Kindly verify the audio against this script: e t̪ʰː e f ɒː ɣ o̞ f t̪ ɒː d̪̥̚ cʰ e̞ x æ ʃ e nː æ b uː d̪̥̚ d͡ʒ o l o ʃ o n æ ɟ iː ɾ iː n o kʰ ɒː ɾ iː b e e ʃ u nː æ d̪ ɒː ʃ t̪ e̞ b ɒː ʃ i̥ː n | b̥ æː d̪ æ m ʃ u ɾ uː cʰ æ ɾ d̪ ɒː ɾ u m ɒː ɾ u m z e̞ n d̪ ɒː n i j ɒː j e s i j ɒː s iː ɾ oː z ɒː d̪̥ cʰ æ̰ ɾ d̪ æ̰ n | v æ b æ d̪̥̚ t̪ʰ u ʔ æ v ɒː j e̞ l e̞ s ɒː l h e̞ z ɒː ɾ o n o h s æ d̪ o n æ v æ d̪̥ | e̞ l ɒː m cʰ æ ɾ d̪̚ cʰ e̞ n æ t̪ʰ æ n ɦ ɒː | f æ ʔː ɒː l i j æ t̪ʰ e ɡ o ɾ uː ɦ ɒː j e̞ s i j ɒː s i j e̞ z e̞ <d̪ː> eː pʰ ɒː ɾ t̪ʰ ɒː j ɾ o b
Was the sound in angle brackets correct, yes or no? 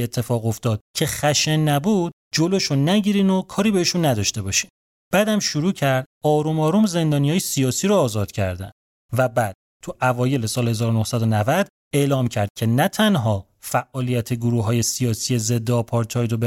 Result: yes